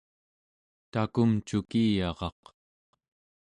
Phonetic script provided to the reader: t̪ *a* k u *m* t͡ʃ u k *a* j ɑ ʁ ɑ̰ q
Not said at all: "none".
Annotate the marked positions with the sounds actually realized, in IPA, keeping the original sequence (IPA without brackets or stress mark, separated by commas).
a, m, i